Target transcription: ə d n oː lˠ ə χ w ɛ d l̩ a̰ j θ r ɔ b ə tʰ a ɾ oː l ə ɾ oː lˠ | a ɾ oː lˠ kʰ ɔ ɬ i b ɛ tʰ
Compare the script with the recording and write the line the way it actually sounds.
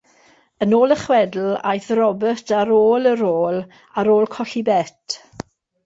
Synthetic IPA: ə n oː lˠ ə χ w ɛ d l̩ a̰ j θ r ɔ b ə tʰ a ɾ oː l ə ɾ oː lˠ | a ɾ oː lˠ kʰ ɔ ɬ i b ɛ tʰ

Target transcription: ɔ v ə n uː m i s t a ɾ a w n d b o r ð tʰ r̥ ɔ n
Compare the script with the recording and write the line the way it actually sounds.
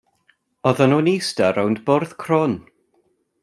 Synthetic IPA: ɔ ð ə n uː n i s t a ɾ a w n d b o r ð kʰ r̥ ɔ n

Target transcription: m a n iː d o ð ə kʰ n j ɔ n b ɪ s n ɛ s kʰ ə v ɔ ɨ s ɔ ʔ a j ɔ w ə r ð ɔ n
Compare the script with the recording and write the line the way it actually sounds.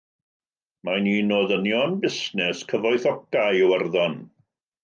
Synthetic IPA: m a n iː n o ð ə n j ɔ n b ɪ s n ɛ s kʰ ə v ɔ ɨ θ ɔ k a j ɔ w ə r ð ɔ n

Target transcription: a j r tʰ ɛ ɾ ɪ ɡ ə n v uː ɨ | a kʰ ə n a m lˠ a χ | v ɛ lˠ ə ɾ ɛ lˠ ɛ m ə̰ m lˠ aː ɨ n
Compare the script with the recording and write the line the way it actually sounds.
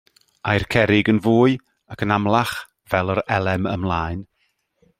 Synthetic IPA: a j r kʰ ɛ ɾ ɪ ɡ ə n v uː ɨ | a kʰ ə n a m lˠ a χ | v ɛ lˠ ə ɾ ɛ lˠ ɛ m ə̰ m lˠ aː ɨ n

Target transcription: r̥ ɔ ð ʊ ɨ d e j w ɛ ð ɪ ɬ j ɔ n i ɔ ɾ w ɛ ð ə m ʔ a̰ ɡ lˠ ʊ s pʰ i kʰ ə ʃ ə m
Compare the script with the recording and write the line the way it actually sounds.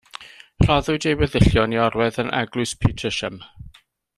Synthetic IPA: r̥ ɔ ð ʊ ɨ d e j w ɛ ð ɪ ɬ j ɔ n i ɔ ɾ w ɛ ð ə n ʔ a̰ ɡ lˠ ʊ s pʰ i tʰ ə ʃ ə m

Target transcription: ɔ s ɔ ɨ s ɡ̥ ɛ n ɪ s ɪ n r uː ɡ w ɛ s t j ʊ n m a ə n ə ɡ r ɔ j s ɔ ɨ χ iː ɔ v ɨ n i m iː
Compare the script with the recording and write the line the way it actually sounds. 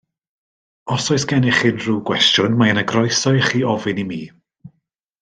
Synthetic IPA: ɔ s ɔ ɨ s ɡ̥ ɛ n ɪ χ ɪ n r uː ɡ w ɛ s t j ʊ n m a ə n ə ɡ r ɔ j s ɔ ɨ χ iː ɔ v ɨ n i m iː

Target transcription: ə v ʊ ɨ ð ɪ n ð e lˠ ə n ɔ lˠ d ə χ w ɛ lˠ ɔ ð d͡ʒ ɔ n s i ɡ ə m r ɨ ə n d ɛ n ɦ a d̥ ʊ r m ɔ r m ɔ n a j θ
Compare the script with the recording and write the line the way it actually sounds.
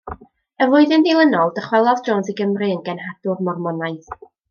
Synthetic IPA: ə v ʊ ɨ ð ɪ n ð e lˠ ə n ɔ lˠ d ə χ w ɛ lˠ ɔ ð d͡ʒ ɔ n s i ɡ ə m r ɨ ə n ɡ ɛ n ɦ a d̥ ʊ r m ɔ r m ɔ n a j θ

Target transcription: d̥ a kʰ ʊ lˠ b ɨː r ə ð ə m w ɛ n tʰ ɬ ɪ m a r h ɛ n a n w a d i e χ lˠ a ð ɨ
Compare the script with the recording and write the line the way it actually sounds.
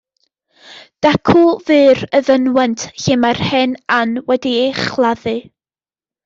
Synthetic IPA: d̥ a kʰ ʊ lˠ v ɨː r ə ð ə n w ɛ n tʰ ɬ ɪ m a r h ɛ n a n w ɛ d i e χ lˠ a ð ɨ

